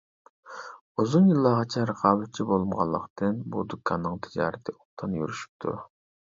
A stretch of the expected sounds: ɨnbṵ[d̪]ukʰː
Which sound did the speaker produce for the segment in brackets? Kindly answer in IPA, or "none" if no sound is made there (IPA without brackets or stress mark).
d̪